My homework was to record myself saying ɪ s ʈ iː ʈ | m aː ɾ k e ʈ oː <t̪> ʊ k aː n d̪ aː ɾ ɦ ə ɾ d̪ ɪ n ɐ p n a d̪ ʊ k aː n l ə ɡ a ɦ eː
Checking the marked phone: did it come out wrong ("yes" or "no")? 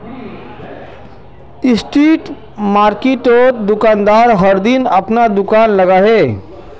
yes